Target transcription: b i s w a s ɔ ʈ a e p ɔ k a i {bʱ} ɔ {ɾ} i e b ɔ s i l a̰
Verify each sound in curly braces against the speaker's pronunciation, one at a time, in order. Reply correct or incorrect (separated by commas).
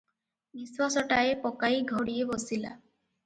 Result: incorrect, incorrect